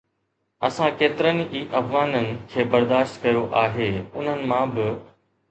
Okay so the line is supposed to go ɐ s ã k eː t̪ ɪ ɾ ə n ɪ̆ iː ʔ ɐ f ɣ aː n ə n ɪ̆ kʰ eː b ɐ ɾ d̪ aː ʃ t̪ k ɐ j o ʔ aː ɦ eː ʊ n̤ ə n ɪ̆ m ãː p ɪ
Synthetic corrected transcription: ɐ s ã k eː t̪ ɪ ɾ ə n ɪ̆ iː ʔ ɐ f ɣ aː n ə n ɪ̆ kʰ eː b ɐ ɾ d̪ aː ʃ t̪ k ɐ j o ʔ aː ɦ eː ʊ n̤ ə n ɪ̆ m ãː b ɪ